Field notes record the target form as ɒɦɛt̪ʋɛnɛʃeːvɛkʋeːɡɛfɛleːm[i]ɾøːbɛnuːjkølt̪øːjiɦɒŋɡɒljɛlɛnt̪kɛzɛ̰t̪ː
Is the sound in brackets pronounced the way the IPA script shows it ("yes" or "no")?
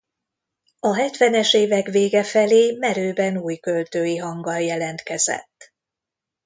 no